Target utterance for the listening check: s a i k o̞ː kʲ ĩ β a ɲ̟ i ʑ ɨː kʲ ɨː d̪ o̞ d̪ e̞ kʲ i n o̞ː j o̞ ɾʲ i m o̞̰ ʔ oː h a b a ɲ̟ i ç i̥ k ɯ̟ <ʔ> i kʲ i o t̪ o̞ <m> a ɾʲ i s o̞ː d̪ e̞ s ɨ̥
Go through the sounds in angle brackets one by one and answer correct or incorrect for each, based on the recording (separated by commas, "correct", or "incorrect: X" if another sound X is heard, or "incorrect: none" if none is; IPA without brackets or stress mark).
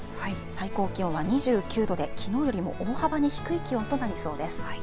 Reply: incorrect: none, incorrect: n